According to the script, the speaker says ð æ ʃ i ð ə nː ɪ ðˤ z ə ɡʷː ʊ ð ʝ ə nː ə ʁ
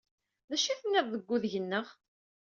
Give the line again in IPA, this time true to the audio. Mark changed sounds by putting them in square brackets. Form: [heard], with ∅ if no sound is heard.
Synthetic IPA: ð æ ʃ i [θ] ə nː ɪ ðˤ [ð] ə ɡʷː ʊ ð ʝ ə nː ə ʁ